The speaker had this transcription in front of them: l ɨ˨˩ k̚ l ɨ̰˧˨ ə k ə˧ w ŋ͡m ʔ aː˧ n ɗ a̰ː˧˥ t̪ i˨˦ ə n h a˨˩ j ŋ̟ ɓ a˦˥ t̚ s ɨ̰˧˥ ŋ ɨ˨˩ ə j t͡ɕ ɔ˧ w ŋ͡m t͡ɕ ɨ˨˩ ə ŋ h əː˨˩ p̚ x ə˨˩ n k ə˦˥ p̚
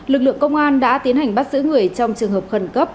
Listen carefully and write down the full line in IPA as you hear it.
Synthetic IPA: l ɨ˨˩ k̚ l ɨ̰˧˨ ə k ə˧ w ŋ͡m ʔ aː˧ n ɗ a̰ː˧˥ t̪ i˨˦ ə n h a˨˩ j ŋ̟ ɓ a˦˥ t̚ z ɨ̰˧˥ ŋ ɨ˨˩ ə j t͡ɕ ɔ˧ w ŋ͡m t͡ɕ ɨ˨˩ ə ŋ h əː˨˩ p̚ x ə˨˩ n k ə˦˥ p̚